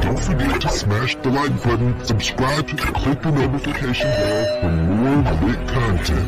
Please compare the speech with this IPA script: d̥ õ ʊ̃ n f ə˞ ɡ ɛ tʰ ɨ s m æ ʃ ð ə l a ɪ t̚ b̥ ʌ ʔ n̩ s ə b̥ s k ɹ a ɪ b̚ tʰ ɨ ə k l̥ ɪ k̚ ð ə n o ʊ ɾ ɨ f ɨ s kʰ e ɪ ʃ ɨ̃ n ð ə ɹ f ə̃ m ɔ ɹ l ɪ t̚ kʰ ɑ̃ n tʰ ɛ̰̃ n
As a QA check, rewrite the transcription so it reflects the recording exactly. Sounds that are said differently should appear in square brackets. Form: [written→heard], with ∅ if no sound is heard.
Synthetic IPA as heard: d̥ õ ʊ̃ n f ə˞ ɡ ɛ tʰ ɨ s m æ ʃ ð ə l a ɪ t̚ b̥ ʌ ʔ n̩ s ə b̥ s k ɹ a ɪ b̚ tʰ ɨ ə [k→kʰ] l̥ ɪ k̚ ð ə n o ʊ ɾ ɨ f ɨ [s→∅] kʰ e ɪ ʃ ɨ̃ n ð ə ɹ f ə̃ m ɔ ɹ l ɪ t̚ kʰ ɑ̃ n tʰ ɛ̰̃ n